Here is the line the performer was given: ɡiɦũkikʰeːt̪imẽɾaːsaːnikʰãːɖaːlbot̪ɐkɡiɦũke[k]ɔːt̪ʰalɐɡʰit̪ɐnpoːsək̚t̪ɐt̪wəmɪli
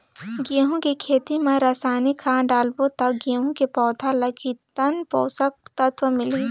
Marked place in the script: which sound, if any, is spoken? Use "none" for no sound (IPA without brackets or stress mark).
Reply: p